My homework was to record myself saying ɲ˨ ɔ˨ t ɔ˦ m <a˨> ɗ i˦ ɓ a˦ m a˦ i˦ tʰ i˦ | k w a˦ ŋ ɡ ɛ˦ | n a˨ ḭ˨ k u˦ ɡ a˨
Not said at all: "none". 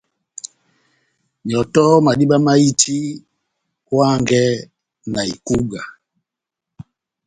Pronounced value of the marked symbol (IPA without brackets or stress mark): a˨